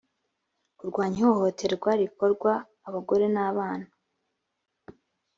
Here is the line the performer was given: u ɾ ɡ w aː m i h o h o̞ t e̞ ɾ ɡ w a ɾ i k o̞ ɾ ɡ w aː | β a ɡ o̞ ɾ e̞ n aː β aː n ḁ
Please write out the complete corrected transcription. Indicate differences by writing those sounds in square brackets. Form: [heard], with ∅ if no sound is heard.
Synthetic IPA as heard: u ɾ ɡ w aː [ɲ] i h o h o̞ t e̞ ɾ ɡ w a ɾ i k o̞ ɾ ɡ w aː | β a ɡ o̞ ɾ e̞ n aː β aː n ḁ